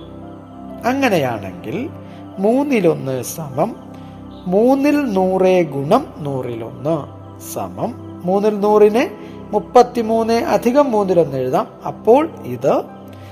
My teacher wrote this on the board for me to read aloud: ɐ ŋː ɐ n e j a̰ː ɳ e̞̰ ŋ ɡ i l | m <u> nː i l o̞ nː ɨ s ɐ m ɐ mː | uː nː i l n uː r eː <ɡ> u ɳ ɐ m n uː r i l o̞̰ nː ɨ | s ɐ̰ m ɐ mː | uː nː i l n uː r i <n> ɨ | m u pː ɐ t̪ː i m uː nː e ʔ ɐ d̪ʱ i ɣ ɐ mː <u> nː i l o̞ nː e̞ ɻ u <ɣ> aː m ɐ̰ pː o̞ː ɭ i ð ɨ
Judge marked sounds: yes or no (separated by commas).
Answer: no, yes, yes, no, no